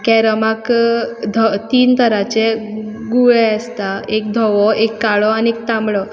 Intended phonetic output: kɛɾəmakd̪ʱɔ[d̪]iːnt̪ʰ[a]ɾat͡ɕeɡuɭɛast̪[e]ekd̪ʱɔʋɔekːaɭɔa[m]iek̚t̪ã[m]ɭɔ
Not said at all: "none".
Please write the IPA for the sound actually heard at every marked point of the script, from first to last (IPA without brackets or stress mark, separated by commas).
t̪, ə, a, n, m